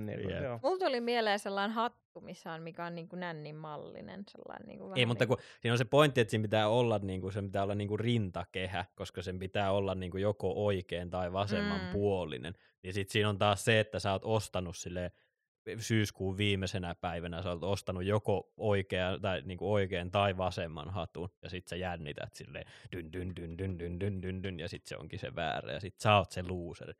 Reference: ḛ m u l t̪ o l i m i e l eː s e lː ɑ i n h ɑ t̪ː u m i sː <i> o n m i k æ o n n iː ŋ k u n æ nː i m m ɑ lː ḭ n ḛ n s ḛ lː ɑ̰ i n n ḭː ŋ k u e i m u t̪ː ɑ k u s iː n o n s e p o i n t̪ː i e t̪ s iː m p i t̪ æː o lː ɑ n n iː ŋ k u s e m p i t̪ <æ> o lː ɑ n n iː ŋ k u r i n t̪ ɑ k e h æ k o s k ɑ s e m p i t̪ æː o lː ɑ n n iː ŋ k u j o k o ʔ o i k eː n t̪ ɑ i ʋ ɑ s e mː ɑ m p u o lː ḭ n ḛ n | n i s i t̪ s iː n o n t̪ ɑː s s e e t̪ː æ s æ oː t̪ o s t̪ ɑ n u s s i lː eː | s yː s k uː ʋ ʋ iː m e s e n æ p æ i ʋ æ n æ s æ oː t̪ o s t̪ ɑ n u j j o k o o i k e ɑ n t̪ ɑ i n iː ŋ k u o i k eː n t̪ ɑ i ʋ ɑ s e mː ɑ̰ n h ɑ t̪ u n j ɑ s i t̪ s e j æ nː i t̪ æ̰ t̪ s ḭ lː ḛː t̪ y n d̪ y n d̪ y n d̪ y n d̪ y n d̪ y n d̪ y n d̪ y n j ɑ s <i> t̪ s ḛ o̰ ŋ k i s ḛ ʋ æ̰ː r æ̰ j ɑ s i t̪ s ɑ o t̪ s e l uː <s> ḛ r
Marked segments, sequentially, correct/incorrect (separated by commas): incorrect, incorrect, correct, correct